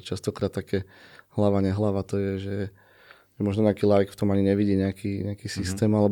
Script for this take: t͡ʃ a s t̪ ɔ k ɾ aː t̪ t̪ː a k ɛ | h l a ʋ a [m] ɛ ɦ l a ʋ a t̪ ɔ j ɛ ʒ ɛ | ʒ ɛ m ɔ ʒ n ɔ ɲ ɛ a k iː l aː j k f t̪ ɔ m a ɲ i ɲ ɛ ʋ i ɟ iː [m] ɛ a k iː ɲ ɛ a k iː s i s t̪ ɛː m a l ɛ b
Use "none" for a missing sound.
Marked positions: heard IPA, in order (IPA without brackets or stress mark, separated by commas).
ɲ, ɲ